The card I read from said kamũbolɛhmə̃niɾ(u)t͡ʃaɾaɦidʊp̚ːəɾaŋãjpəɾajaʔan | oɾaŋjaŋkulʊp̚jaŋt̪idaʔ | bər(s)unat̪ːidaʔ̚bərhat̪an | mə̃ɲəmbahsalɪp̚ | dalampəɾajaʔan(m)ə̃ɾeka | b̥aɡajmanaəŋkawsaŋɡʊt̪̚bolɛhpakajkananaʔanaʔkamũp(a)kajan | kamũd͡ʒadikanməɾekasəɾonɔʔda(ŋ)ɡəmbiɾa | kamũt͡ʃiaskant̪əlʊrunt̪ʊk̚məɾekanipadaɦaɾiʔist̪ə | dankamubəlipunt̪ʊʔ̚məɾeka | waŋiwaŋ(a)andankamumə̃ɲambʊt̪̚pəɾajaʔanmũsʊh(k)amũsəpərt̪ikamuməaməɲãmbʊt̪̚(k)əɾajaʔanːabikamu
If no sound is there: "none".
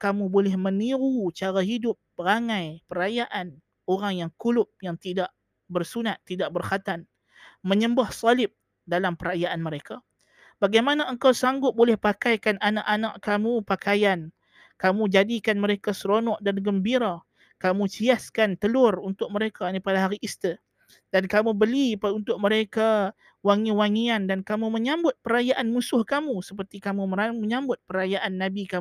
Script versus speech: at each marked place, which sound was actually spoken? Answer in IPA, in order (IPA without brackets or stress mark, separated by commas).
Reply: u, s, m, a, n, i, k, p